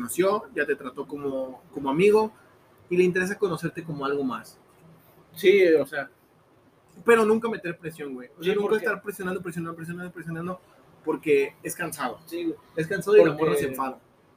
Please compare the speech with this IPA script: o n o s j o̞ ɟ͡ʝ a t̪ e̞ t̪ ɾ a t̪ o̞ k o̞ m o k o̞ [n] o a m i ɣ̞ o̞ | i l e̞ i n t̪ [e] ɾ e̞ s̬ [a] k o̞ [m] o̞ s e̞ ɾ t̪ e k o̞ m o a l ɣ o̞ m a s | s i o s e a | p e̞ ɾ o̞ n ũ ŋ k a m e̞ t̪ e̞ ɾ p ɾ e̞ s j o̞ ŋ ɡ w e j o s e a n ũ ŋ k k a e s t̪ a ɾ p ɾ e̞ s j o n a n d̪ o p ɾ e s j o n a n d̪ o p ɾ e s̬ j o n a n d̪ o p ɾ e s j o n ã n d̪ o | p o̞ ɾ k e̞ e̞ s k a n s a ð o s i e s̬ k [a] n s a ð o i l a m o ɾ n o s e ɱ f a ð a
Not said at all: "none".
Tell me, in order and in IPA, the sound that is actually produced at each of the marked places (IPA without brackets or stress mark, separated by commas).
m, e, a, n, a